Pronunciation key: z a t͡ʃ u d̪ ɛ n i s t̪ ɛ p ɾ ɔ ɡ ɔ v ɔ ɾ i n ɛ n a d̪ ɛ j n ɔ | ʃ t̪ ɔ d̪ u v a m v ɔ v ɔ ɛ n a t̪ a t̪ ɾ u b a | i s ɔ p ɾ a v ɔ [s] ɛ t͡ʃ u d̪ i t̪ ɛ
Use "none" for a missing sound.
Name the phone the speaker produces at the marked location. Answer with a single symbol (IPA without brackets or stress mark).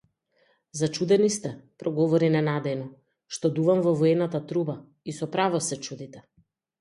s